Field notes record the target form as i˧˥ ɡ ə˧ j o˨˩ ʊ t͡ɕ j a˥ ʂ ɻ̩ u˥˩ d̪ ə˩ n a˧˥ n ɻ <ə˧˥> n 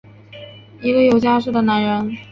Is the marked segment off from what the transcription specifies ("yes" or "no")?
no